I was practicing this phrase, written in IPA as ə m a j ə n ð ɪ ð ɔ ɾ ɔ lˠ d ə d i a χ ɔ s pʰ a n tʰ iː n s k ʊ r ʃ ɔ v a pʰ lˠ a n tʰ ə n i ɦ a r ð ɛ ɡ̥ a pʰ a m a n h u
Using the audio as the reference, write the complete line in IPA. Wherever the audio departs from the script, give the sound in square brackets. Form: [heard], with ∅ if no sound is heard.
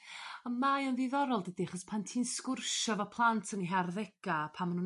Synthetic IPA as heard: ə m a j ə n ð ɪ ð ɔ ɾ ɔ lˠ d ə d i a χ ɔ s pʰ a n tʰ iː n s k ʊ r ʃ ɔ v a pʰ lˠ a n tʰ ə n i ɦ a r ð ɛ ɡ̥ a pʰ a m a n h u